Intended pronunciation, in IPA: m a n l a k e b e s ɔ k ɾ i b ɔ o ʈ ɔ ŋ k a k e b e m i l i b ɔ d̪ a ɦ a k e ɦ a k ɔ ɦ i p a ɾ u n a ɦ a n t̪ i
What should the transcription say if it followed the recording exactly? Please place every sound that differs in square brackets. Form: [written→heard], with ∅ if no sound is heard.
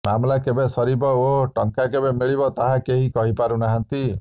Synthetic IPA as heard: m a [n→m] l a k e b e s ɔ [k→∅] ɾ i b ɔ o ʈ ɔ ŋ k a k e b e m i [l→ɭ] i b ɔ [d̪→t̪] a ɦ a k e ɦ [a→i] k ɔ ɦ i p a ɾ u n a ɦ a n t̪ i